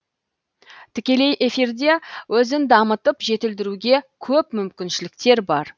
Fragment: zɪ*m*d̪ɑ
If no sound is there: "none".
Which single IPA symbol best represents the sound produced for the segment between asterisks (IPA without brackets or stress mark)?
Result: n